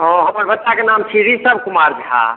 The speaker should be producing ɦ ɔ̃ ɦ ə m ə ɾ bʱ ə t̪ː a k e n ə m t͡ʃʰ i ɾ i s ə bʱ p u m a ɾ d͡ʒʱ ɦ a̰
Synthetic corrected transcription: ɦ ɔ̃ ɦ ə m ə ɾ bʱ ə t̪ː a k e n a m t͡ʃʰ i ɾ i s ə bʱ k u m a ɾ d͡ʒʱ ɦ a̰